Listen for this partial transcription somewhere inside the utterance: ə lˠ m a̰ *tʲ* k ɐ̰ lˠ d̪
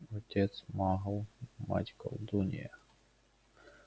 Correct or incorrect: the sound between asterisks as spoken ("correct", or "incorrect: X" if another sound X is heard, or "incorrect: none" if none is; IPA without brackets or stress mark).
correct